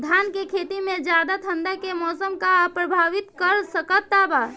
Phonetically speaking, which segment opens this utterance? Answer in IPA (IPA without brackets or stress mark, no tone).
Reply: d̪ʱ